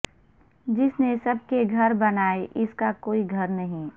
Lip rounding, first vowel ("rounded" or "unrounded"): unrounded